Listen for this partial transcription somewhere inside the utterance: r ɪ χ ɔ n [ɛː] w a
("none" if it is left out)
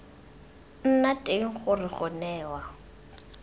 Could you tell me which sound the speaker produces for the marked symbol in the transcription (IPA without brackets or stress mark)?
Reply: ɛː